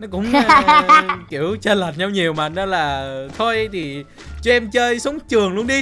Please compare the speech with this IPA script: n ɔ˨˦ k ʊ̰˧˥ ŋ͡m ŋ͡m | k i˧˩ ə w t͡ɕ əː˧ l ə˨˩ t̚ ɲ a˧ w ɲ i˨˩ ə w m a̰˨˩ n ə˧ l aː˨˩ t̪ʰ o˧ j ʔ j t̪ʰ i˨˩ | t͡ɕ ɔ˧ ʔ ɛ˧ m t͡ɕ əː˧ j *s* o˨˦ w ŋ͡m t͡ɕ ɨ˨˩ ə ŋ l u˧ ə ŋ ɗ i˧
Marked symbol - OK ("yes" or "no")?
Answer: yes